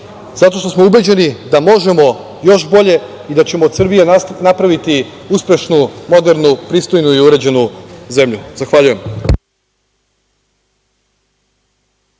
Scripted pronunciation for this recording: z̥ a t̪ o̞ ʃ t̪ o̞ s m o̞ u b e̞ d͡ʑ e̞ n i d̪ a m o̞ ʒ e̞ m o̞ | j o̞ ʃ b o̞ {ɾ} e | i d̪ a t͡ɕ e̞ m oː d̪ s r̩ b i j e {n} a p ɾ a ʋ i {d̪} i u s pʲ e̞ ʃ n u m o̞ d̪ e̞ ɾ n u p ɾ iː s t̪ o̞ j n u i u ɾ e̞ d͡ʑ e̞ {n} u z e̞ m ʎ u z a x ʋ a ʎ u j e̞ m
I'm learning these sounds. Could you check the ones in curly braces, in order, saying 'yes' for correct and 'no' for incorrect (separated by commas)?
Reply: no, yes, no, yes